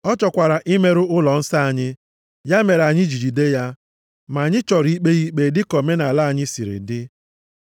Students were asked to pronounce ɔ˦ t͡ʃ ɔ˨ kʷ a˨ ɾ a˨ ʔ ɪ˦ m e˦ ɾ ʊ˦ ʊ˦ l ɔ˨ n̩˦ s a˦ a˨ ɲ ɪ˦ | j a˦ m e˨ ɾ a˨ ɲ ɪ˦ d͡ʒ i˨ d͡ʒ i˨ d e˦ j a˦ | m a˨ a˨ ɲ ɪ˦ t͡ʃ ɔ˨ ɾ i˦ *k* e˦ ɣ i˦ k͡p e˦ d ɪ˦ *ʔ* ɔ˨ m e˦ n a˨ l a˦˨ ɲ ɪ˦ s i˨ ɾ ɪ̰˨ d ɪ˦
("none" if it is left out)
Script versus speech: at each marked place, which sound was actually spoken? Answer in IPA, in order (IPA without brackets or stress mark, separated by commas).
k͡p, k